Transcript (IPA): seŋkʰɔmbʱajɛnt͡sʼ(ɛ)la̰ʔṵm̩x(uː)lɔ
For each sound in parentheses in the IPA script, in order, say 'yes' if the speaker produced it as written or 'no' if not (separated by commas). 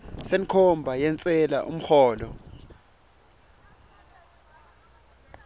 yes, no